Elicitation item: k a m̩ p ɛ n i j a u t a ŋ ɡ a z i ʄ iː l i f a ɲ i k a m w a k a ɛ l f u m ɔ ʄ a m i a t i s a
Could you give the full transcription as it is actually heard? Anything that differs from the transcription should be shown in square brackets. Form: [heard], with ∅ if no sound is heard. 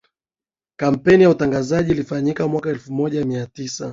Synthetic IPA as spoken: k a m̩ p ɛ n i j a u t a ŋ ɡ a z [a] ʄ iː l i f a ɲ i k a m w a k a ɛ l f u m ɔ ʄ a m i a t i s a